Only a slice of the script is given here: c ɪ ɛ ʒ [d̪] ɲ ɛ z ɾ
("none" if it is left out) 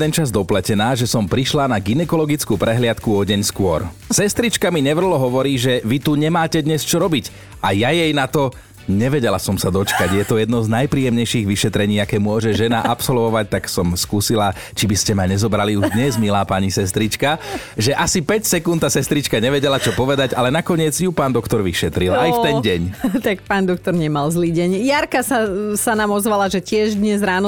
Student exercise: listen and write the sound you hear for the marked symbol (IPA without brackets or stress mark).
d̪